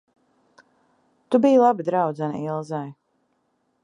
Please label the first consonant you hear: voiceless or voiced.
voiceless